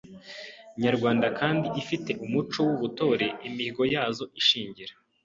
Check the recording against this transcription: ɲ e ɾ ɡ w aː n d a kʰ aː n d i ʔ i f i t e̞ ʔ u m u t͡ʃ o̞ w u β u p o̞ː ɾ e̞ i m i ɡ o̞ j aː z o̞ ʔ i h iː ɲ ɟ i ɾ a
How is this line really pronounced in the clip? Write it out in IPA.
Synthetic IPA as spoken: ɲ a ɾ ɡ w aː n d a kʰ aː n d i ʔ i f i t e̞ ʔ u m u t͡ʃ o̞ w u β u t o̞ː ɾ e̞ i m i ɡ o̞ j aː z o̞ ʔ i ʃ iː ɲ ɟ i ɾ a